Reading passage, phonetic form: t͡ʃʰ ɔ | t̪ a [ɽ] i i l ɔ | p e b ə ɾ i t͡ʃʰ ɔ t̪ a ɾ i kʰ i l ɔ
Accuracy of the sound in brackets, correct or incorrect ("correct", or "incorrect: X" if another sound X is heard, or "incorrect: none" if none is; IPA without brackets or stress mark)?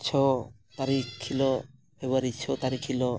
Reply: incorrect: ɾ